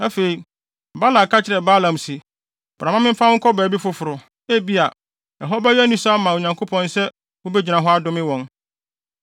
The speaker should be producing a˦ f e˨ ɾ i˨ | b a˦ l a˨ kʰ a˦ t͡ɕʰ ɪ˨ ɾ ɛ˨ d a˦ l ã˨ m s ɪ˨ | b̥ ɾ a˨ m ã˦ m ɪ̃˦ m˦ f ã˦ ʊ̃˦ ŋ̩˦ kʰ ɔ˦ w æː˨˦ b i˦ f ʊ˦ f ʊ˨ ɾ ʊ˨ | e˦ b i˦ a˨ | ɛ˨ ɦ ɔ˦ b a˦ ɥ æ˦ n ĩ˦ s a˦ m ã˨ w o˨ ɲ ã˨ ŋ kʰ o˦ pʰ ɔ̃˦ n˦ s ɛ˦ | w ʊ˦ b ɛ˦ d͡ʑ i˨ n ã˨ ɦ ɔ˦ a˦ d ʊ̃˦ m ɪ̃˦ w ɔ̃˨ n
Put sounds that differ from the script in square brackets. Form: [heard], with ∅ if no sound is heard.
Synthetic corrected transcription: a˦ f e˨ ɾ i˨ | b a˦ l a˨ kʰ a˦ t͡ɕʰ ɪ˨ ɾ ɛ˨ [b] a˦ l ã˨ m s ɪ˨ | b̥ ɾ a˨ m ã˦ m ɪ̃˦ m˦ f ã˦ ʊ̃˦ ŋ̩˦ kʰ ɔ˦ [b] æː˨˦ b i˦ f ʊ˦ f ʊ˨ ɾ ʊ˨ | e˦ b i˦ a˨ | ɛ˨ ɦ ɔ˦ b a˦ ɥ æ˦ n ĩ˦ s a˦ m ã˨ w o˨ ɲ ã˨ ŋ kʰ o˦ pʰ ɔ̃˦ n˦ s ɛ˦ | w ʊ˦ b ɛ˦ d͡ʑ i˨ n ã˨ ɦ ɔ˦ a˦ d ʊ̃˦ m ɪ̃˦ w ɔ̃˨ n

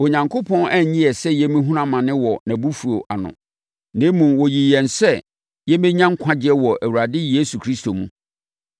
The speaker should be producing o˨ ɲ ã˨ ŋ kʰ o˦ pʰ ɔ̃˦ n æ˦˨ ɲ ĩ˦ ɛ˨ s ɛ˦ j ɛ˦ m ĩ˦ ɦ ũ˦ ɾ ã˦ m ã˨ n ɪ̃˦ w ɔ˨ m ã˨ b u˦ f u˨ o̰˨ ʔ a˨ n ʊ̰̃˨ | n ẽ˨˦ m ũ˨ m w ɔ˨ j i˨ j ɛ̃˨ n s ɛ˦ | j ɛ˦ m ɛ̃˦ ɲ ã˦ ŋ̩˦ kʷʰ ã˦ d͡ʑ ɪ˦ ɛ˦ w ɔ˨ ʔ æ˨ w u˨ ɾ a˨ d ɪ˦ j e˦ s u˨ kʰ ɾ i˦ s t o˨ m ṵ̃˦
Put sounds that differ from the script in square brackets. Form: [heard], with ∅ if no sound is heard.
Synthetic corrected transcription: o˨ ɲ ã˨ ŋ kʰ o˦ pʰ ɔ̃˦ n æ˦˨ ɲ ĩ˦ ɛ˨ s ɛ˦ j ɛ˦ m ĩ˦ ɦ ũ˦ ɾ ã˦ m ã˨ n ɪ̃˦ w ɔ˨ [n] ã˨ b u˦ f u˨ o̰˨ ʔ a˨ n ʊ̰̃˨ | n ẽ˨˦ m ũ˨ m w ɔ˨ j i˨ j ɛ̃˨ n s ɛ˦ | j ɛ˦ m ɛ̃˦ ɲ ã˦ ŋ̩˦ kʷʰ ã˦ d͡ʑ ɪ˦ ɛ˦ w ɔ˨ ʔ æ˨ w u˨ ɾ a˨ d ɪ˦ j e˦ s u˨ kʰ ɾ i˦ s t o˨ m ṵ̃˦

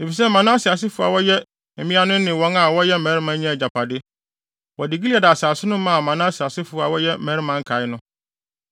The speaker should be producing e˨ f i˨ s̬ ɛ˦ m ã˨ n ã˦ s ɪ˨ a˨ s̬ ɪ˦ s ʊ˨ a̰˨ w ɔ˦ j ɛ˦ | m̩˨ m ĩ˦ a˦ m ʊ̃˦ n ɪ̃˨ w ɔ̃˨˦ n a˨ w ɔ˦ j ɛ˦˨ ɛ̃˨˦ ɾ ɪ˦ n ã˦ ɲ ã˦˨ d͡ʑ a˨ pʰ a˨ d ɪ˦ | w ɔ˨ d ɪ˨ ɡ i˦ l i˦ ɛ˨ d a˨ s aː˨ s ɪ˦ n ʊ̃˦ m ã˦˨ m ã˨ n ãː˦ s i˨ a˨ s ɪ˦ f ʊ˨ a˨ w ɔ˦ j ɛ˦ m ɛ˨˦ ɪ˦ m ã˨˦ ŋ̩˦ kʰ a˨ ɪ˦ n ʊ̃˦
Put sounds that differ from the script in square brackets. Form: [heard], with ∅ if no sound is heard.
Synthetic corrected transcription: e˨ f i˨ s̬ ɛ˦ m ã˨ n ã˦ s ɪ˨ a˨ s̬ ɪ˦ [f] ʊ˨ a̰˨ w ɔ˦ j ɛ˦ | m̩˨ m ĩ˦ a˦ [n] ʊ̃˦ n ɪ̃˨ w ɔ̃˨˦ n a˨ w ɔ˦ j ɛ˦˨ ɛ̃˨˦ ɾ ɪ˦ [m] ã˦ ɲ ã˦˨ d͡ʑ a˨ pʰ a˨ d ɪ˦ | w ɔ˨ d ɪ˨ ɡ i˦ l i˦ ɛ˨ d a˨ s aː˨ s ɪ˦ n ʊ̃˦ m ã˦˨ m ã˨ n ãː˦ s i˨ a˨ s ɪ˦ f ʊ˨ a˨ w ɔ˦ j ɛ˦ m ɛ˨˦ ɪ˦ m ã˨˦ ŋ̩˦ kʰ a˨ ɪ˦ n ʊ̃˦

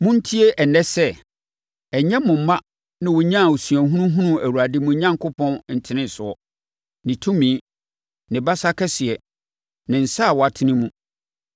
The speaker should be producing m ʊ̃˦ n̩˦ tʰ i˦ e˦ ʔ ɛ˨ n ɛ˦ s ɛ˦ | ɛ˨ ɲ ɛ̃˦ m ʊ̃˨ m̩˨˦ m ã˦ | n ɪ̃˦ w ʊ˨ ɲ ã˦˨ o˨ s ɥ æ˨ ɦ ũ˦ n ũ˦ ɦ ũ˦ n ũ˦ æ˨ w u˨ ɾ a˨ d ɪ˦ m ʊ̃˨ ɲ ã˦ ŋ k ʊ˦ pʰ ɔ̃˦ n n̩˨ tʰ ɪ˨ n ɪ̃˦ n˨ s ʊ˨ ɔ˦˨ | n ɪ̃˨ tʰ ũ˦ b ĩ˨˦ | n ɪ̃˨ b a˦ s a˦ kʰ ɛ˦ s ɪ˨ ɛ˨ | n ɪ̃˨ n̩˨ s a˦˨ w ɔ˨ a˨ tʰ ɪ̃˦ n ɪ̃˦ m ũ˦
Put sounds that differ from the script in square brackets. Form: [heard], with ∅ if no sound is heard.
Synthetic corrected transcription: m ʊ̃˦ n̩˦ tʰ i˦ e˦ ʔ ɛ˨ n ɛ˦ s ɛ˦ | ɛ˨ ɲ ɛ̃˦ m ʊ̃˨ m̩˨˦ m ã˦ | n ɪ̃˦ w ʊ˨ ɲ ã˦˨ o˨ s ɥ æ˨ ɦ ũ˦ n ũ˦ ɦ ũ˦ n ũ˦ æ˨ w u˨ ɾ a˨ d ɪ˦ m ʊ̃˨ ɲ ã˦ ŋ k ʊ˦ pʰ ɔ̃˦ n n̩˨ tʰ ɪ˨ n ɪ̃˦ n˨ s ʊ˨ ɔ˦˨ | n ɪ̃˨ tʰ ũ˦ [m] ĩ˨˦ | n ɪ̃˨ b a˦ s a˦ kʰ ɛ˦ s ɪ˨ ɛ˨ | n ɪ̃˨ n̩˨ s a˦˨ w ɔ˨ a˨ tʰ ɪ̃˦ n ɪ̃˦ m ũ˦

